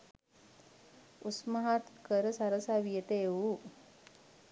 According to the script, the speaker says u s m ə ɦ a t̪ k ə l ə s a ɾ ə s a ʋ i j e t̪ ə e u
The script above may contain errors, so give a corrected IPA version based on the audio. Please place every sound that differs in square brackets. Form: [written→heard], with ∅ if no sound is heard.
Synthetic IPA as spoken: u s m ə ɦ a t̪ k ə [l→ɾ] ə s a ɾ ə s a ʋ i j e t̪ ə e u